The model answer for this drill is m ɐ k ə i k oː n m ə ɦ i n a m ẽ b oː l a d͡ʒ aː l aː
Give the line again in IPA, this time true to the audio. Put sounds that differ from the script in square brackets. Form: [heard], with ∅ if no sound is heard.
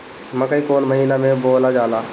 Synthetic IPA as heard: m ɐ k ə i k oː n m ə ɦ [iː] n a m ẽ b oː l a d͡ʒ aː l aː